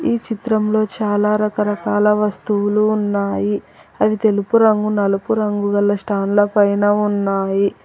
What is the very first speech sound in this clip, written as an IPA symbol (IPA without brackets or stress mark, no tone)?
iː